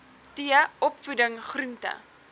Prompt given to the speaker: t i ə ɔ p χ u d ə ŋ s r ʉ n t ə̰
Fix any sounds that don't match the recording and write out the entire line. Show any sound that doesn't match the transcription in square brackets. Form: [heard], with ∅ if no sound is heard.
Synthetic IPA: t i ə ɔ p [f] u d ə ŋ [χ] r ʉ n t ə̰